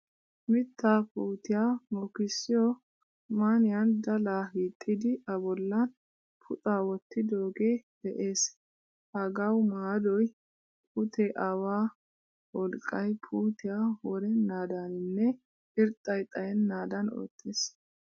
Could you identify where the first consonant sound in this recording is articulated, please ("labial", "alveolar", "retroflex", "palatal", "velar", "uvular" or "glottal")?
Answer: labial